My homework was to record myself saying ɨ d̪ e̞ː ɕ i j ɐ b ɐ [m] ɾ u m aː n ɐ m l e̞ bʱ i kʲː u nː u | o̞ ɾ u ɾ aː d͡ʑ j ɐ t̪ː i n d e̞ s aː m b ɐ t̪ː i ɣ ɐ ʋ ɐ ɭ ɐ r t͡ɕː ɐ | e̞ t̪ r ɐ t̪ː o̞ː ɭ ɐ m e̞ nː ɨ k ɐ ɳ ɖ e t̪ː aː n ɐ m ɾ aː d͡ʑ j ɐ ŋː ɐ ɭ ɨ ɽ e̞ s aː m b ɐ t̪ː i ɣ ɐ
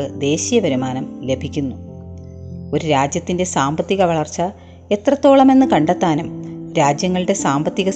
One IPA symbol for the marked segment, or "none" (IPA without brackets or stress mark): none